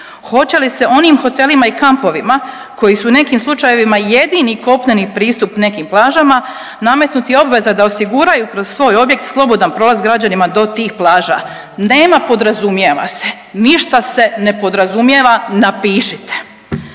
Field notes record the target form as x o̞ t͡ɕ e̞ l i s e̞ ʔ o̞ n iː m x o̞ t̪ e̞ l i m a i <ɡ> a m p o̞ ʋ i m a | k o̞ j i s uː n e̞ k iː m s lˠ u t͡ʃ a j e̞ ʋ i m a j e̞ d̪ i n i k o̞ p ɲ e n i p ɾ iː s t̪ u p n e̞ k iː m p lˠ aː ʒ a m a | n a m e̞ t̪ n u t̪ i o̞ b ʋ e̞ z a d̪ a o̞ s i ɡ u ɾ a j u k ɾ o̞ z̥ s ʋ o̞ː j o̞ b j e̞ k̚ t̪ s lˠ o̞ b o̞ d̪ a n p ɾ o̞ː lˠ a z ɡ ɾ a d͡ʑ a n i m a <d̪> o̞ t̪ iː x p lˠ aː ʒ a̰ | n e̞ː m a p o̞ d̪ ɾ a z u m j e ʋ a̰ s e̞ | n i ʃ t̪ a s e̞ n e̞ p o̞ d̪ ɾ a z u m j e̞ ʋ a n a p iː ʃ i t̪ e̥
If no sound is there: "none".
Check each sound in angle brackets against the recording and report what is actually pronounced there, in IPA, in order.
k, d̪

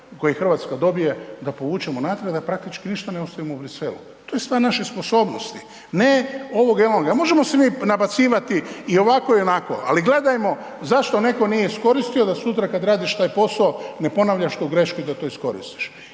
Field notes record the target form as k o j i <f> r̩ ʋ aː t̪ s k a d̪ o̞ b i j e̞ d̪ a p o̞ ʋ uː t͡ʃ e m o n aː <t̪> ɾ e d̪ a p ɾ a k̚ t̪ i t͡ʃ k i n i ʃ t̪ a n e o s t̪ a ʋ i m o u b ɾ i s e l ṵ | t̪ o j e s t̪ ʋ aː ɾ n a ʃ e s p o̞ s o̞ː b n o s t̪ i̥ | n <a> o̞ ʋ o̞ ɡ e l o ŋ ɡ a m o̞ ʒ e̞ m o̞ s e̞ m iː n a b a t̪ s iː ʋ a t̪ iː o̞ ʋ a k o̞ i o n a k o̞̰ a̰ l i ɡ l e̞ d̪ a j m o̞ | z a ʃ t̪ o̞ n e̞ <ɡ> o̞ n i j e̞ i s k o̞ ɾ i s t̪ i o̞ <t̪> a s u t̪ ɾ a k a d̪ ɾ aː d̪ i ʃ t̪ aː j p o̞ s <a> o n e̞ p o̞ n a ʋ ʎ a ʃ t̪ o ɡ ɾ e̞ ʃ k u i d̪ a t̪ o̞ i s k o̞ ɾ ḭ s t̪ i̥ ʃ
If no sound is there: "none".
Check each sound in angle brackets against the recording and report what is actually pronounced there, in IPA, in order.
x, t̪, e, k, d̪, a

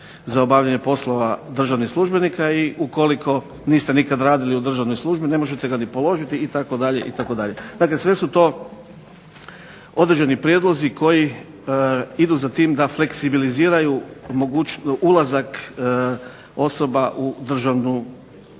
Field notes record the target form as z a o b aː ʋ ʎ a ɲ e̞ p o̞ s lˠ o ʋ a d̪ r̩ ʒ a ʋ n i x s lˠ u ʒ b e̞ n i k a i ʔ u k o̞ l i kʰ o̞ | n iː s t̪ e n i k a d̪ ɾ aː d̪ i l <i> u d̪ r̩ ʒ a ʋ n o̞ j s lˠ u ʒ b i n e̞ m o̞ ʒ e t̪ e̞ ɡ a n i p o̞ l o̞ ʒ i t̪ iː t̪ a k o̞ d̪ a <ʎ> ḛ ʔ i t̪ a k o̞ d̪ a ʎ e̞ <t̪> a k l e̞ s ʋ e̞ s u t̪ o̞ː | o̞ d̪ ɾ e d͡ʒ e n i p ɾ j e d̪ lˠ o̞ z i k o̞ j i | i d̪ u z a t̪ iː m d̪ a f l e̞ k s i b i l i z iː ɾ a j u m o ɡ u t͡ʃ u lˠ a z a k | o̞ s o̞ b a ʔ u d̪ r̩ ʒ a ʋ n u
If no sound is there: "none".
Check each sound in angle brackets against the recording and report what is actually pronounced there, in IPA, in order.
i, ʎ, d̪

